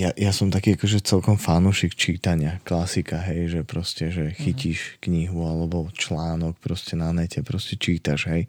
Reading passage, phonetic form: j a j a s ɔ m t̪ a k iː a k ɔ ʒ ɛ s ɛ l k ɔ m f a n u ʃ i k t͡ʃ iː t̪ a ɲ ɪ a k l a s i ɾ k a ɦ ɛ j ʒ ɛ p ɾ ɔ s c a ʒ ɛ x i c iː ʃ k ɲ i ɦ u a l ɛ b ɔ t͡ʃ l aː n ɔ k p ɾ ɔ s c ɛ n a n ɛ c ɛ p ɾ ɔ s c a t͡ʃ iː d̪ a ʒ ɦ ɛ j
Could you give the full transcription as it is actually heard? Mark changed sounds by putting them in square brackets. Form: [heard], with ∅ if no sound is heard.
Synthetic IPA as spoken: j a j a s ɔ m t̪ a k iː a k ɔ ʒ ɛ [t͡s] ɛ l k ɔ m f a n u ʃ i k t͡ʃ iː t̪ a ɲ ɪ a k l a s i [∅] k a ɦ ɛ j ʒ ɛ p ɾ ɔ s c [ɛ] ʒ ɛ x i c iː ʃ k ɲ i ɦ u a l ɛ b ɔ t͡ʃ l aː n ɔ k p ɾ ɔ s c ɛ n a n ɛ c ɛ p ɾ ɔ s c [ɛ] t͡ʃ iː [t̪] a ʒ ɦ ɛ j